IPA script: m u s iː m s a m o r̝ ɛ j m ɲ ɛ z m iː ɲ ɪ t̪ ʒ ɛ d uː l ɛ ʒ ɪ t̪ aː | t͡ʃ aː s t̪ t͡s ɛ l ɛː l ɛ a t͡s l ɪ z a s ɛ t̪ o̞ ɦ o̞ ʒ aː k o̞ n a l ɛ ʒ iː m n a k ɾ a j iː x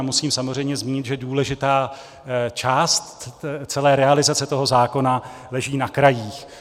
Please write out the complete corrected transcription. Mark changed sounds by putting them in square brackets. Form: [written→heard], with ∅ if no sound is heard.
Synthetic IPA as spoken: m u s iː m s a m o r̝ ɛ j m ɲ ɛ z m iː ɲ ɪ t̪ ʒ ɛ d uː l ɛ ʒ ɪ t̪ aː | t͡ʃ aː s t̪ t͡s ɛ l ɛː [l→ɾ] ɛ a [t͡s→∅] l ɪ z a [s→t͡s] ɛ t̪ o̞ ɦ o̞ [ʒ→z] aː k o̞ n a l ɛ ʒ iː [m→∅] n a k ɾ a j iː x